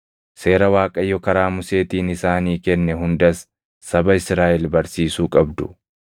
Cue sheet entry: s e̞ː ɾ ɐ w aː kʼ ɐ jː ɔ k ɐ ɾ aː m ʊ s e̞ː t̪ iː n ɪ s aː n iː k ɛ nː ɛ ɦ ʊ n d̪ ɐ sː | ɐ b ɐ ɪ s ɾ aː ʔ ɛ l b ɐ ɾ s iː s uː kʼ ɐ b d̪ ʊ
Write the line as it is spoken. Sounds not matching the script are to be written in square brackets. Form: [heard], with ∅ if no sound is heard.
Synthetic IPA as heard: s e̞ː ɾ ɐ w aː kʼ ɐ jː ɔ k ɐ ɾ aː m ʊ s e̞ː t̪ iː n ɪ s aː n iː k ɛ nː ɛ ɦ ʊ n d̪ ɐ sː | ɐ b ɐ ɪ s ɾ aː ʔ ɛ l b ɐ ɾ s iː s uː kʼ ɐ b d̪ ʊ